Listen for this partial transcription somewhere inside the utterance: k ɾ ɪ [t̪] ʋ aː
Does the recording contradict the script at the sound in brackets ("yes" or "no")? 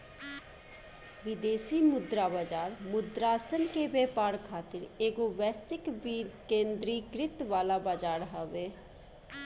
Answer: no